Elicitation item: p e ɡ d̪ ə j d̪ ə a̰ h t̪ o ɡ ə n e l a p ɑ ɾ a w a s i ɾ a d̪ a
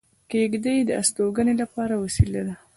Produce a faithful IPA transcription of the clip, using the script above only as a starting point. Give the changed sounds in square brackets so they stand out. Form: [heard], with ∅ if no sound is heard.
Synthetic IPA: [k] e ɡ d̪ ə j d̪ ə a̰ [s] t̪ o ɡ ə n e l a p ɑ ɾ a w a s i [l] a d̪ a